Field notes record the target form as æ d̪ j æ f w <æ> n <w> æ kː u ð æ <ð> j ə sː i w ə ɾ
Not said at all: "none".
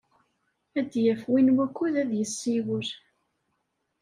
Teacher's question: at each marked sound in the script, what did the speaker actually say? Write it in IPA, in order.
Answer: i, w, ð

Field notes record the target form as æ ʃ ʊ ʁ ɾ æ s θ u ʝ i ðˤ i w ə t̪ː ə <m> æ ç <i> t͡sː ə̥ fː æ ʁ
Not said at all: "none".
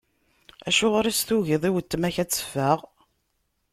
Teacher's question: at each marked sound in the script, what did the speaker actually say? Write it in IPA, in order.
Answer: m, æ

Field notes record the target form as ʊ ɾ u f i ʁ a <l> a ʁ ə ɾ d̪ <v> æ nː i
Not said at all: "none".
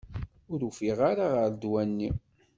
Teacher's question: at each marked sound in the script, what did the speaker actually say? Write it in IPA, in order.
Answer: ɾ, w

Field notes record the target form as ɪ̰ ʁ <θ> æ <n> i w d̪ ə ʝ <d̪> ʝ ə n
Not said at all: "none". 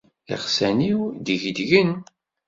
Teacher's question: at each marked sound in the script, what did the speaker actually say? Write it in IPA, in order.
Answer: s, n, d̪

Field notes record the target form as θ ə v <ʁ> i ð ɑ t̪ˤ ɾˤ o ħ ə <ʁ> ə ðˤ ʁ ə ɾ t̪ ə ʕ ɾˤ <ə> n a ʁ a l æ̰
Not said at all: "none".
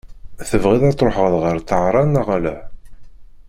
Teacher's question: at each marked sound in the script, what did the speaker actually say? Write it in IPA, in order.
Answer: ʁ, ʁ, ɑ

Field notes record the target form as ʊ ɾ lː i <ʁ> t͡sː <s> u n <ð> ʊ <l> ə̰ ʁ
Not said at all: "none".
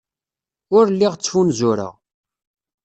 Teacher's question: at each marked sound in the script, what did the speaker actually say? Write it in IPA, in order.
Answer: ʁ, f, z, ɾ

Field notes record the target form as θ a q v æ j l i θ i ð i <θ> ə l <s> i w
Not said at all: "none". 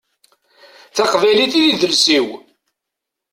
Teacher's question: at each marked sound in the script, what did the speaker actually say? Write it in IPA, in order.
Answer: ð, s

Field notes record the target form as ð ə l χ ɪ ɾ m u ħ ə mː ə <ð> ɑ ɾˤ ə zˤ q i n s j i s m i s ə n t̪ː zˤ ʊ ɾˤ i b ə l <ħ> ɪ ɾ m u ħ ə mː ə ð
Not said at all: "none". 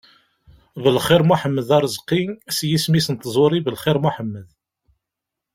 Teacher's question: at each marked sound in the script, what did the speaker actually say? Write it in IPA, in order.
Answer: ð, χ

